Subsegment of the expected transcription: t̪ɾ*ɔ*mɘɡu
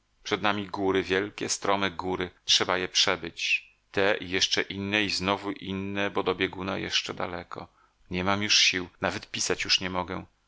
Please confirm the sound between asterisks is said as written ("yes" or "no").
yes